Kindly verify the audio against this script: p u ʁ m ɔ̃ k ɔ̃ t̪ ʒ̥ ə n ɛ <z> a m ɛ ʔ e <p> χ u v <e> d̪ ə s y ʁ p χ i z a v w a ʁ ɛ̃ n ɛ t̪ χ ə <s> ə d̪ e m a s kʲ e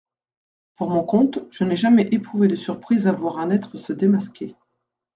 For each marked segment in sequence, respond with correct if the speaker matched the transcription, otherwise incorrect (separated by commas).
incorrect, correct, correct, correct